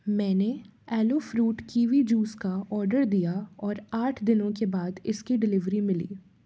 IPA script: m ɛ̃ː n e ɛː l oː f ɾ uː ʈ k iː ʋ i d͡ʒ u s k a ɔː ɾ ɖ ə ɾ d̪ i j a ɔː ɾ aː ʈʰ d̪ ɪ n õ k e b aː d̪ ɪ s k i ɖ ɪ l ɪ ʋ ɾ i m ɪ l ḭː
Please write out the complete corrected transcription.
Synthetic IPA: m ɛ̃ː n e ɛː l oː f ɾ uː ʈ k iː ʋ i d͡ʒ uː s k a ɔː ɾ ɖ ə ɾ d̪ i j a ɔː ɾ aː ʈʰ d̪ ɪ n õ k e b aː d̪ ɪ s k i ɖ ɪ l ɪ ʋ ɾ i m ɪ l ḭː

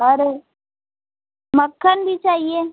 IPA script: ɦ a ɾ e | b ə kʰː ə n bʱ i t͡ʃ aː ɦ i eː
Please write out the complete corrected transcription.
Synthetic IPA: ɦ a ɾ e | m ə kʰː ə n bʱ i t͡ʃ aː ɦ i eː

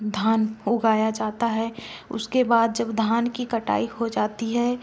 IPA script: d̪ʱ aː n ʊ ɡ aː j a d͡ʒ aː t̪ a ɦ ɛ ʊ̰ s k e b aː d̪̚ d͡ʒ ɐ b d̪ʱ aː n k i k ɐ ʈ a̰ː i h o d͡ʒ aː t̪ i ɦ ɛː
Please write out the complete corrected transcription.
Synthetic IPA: d̪ʱ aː n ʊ ɡ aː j a d͡ʒ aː t̪ a ɦ ɛ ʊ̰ s k e b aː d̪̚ d͡ʒ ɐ b d̪ʱ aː n k i k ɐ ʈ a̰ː i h o d͡ʒ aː t̪ i ɦ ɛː

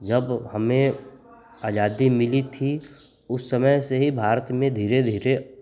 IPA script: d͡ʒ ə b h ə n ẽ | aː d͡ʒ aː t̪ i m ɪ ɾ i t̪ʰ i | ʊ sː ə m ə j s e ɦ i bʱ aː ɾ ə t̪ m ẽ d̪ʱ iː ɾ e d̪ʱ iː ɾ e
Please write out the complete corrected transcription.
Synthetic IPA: d͡ʒ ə b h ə m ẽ | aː d͡ʒ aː d̪ i m ɪ l i t̪ʰ i | ʊ sː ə m ə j s e ɦ i bʱ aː ɾ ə t̪ m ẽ d̪ʱ iː ɾ e d̪ʱ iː ɾ e

